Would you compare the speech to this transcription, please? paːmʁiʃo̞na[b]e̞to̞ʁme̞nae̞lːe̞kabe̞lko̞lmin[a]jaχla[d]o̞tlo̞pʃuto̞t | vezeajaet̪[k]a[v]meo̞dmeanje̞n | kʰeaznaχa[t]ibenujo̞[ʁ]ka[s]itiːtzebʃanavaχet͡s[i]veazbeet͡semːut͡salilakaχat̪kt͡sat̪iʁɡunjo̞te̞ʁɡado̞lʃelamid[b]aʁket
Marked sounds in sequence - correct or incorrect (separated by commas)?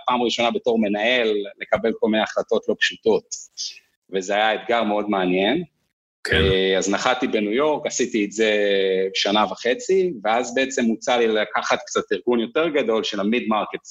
correct, incorrect, incorrect, incorrect, incorrect, correct, correct, correct, correct, incorrect